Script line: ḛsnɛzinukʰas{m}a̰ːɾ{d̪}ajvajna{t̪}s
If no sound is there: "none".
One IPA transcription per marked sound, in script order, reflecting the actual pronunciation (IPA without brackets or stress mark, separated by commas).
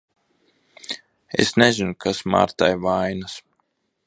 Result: m, t̪, none